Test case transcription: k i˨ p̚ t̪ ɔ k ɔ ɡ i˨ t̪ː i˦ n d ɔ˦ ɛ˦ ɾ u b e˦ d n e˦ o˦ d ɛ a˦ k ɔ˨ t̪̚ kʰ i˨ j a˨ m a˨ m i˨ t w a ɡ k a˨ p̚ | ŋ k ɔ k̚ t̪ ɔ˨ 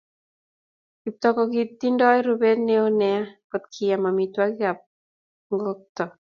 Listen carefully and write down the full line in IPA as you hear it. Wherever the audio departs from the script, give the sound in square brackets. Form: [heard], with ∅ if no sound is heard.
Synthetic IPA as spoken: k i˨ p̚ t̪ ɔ k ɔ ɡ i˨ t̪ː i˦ n d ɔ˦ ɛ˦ ɾ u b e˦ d n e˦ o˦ [n] ɛ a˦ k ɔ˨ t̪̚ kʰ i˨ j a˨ m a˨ m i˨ t w a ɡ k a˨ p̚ | ŋ [ɡ] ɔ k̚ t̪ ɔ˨